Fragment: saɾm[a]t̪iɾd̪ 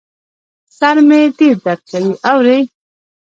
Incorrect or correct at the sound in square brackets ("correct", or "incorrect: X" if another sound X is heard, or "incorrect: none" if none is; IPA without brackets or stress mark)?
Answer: incorrect: e